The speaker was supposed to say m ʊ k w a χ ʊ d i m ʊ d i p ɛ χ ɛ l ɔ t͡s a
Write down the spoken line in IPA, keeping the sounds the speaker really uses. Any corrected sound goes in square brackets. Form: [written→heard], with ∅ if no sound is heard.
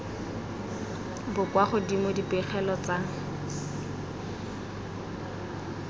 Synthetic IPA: [m→b] ʊ k w a χ ʊ d i m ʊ d i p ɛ χ ɛ l ɔ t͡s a